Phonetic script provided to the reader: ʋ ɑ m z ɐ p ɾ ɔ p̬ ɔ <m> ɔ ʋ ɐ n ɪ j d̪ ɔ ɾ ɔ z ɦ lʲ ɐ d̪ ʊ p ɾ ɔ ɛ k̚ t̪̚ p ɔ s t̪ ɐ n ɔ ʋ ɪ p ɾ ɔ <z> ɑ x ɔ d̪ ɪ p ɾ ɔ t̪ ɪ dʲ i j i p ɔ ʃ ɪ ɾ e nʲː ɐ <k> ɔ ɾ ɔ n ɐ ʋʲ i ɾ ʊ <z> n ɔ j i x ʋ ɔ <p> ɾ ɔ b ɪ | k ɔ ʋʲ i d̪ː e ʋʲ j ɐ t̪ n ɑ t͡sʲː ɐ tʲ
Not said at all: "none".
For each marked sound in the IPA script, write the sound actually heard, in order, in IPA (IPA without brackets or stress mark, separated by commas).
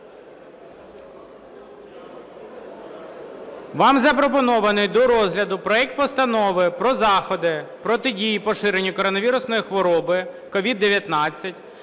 n, z, k, s, none